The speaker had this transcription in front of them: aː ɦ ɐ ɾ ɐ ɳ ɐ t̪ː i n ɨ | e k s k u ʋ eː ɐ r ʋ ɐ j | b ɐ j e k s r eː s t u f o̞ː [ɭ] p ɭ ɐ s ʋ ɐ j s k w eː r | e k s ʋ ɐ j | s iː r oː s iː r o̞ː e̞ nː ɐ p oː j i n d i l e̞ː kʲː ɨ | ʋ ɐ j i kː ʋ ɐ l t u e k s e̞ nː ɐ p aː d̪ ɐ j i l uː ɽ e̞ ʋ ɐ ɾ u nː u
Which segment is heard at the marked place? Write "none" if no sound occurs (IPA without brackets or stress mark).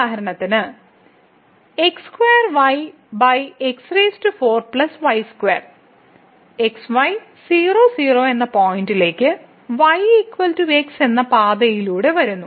r